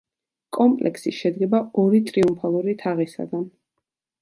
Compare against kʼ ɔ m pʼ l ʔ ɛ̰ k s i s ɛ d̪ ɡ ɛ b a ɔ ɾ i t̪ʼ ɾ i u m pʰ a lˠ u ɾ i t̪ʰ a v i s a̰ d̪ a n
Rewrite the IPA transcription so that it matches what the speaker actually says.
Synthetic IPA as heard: kʼ ɔ m pʼ l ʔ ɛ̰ k s i ʃ ɛ d̪ ɡ ɛ b a ɔ ɾ i t̪ʼ ɾ i u m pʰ a lˠ u ɾ i t̪ʰ a ʁ i s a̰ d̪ a n